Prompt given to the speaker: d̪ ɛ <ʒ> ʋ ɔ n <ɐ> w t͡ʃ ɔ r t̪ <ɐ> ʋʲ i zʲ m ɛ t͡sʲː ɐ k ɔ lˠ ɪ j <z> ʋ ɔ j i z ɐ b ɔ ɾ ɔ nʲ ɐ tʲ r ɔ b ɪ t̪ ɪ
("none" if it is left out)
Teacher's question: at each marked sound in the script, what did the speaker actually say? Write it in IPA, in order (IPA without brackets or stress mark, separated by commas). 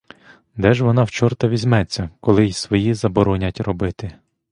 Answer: ʒ, ɑ, ɐ, s